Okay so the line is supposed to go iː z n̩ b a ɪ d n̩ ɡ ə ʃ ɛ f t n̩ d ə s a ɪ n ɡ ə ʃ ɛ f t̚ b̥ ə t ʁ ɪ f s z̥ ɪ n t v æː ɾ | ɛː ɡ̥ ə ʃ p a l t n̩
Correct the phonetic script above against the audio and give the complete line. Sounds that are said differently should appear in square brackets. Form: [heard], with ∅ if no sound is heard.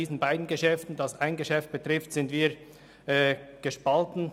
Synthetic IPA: iː z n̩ b a ɪ d n̩ ɡ ə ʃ ɛ f t n̩ d [ɑ] s a ɪ n ɡ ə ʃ ɛ f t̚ b̥ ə t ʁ ɪ f [t] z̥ ɪ n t v [iː] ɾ | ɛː ɡ̥ ə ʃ p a l t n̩